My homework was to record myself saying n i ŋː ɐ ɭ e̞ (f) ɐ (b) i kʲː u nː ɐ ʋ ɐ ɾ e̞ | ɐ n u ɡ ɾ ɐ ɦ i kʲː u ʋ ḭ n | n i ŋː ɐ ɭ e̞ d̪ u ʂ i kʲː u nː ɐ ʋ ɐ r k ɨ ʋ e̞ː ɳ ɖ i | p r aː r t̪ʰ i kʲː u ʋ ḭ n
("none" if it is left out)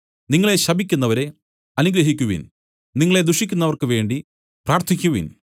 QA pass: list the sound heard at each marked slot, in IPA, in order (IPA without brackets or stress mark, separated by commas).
ɕ, b